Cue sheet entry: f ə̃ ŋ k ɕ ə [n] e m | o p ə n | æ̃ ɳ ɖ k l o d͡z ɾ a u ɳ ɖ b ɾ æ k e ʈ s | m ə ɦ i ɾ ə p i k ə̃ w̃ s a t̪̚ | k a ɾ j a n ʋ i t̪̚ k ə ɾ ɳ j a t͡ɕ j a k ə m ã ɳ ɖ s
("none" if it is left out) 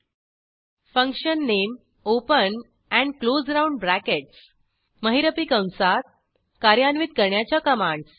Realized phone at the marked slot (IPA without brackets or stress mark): nː